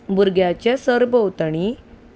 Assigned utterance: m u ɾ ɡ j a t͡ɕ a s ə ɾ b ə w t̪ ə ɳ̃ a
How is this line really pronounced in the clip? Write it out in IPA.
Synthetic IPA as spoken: b u ɾ ɡ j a t͡ɕ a s ə ɾ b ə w t̪ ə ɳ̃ i